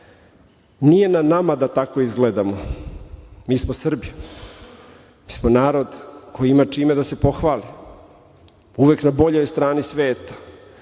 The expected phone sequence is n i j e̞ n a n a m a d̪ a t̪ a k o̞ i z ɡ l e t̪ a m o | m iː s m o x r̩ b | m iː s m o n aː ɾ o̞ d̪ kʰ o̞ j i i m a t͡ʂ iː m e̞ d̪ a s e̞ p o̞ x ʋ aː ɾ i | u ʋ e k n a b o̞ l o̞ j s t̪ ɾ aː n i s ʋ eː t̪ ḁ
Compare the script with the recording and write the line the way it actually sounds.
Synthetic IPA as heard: n i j e̞ n a n a m a d̪ a t̪ a k o̞ i z ɡ l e d̪ a m o | m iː s m o s r̩ b | m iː s m o n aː ɾ o̞ d̪ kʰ o̞ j i i m a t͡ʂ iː m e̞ d̪ a s e̞ p o̞ x ʋ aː l i | u ʋ e k n a b o̞ ʎ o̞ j s t̪ ɾ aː n i s ʋ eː t̪ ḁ

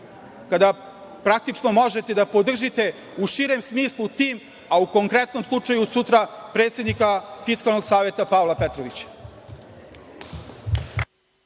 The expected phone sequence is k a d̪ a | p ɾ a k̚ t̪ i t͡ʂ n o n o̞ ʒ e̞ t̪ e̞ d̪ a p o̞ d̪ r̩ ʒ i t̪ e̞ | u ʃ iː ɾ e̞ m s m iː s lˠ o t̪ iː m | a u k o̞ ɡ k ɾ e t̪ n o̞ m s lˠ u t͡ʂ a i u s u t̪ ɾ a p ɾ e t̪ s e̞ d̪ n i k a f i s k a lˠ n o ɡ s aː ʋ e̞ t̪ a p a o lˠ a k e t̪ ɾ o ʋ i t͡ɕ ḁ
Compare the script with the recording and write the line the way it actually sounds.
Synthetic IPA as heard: k a d̪ a | p ɾ a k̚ t̪ i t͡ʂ n o m o̞ ʒ e̞ t̪ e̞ d̪ a p o̞ d̪ r̩ ʒ i t̪ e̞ | u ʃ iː ɾ e̞ m s m iː s lˠ u t̪ iː m | a u k o̞ ŋ k ɾ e t̪ n o̞ m s lˠ u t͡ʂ a j u s u t̪ ɾ a p ɾ e t̪ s e̞ d̪ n i k a f i s k a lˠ n o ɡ s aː ʋ e̞ t̪ a p a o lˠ a p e t̪ ɾ o ʋ i t͡ɕ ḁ

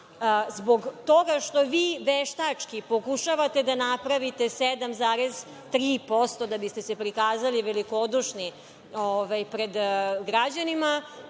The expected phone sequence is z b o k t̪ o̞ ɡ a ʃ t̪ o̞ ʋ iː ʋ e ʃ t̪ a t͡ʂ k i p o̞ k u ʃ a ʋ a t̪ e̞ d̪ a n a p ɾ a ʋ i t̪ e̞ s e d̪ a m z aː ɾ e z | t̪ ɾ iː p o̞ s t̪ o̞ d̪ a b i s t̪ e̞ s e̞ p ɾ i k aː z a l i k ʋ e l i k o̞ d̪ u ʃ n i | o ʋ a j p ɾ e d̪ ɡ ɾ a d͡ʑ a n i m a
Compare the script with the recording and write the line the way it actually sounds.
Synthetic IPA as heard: z b o ɡ t̪ o̞ ɡ a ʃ t̪ o̞ ʋ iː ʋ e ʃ t̪ a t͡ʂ k i p o̞ k u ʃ a ʋ a t̪ e̞ d̪ a n a p ɾ a ʋ i t̪ e̞ s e d̪ a m z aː ɾ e z | t̪ ɾ iː p o̞ s t̪ o̞ d̪ a b i s t̪ e̞ s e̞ p ɾ i k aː z a l i ʋ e l i k o̞ d̪ u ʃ n i | o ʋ a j p ɾ e d̪ ɡ ɾ a d͡ʑ a n i m a

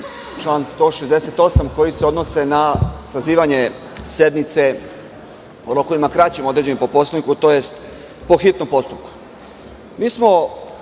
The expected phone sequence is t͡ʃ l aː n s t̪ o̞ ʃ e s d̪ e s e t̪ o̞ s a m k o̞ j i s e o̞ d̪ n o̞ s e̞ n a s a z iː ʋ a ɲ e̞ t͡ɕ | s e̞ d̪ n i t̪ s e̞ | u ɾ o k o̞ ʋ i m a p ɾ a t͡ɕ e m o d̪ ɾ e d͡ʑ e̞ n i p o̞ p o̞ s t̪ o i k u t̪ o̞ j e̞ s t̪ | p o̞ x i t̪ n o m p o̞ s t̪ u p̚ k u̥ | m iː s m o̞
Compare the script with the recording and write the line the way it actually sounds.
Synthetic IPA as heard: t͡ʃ l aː n s t̪ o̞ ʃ e z d̪ e s e t̪ o̞ s a m k o̞ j i s e o̞ d̪ n o̞ s e̞ n a s a z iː ʋ a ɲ e̞ | s e̞ d̪ n i t̪ s e̞ | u ɾ o k o̞ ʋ i m a k ɾ a t͡ɕ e m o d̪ ɾ e d͡ʑ e̞ n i p o̞ p o̞ s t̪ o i k u t̪ o̞ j e̞ s t̪ | p o̞ x i t̪ n o m p o̞ s t̪ u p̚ k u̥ | m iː s m o̞

